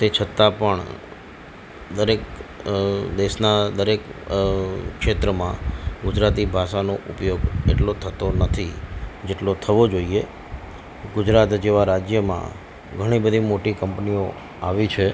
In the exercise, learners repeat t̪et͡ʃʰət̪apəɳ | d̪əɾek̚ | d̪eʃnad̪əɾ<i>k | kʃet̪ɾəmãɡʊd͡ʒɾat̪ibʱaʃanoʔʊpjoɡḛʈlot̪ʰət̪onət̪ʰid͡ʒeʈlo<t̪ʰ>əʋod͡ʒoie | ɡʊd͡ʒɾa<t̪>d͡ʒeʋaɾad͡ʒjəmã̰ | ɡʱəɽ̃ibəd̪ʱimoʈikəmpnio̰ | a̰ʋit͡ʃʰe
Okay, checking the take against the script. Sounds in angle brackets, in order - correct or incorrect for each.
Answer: incorrect: e, correct, correct

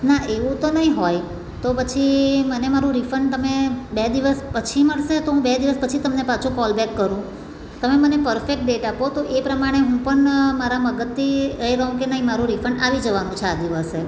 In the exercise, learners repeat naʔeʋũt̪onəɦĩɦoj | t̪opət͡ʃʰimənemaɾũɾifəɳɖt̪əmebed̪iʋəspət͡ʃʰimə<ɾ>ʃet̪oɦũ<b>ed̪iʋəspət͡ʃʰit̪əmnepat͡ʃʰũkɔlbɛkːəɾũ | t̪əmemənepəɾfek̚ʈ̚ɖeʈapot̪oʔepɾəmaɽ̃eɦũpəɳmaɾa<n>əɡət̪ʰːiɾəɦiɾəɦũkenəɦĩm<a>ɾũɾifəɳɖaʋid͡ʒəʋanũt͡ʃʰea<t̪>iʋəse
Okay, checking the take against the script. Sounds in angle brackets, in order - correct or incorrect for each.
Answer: incorrect: ɭ, correct, incorrect: m, correct, incorrect: d̪

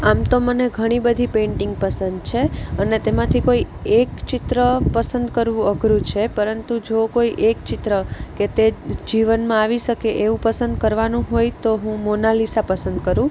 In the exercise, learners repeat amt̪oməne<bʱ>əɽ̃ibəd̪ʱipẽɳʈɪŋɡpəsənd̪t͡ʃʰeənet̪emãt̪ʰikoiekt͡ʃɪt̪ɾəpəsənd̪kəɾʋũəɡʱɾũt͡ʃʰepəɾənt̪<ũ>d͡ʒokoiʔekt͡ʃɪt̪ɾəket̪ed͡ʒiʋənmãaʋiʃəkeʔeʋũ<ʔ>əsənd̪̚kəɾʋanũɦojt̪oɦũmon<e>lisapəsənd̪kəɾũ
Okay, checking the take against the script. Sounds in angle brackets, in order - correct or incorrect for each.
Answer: incorrect: ɡʱ, incorrect: u, incorrect: p, incorrect: a

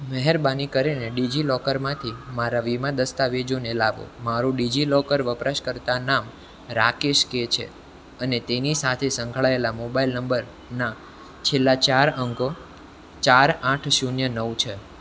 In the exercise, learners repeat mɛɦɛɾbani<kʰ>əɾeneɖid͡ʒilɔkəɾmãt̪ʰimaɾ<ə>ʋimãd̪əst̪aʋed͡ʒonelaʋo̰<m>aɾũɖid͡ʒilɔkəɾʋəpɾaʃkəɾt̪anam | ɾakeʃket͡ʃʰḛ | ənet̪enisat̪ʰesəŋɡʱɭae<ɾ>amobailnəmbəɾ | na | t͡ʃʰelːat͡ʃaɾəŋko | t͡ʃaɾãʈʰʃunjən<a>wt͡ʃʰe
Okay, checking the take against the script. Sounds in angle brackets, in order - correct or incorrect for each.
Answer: incorrect: k, incorrect: a, correct, incorrect: l, incorrect: ə

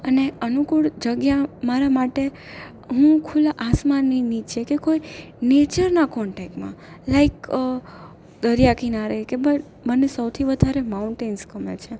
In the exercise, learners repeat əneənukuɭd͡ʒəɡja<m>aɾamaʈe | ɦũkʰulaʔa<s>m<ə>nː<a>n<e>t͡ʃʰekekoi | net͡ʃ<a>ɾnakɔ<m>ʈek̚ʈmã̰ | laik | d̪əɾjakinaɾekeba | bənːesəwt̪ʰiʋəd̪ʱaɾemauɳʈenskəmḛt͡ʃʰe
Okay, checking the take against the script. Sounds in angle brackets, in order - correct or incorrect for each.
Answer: correct, correct, incorrect: a, incorrect: i, incorrect: i, incorrect: ə, incorrect: ɳ

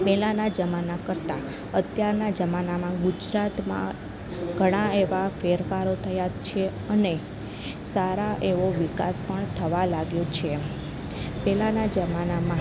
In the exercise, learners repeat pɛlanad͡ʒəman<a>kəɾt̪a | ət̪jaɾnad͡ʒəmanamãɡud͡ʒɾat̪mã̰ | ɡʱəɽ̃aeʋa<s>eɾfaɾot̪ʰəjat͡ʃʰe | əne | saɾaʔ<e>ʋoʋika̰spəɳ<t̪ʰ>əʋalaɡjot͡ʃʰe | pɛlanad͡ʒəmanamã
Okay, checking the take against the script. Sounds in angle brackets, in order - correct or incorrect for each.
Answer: correct, incorrect: f, correct, correct

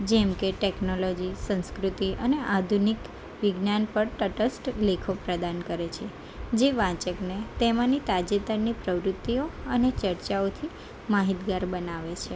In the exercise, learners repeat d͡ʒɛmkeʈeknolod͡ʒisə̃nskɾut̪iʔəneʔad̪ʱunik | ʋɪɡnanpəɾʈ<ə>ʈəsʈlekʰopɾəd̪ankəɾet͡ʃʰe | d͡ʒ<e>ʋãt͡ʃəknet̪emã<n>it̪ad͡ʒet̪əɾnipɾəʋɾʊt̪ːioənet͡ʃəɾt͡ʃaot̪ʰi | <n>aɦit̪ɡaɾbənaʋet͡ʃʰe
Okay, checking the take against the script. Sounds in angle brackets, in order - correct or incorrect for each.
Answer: correct, correct, correct, incorrect: m

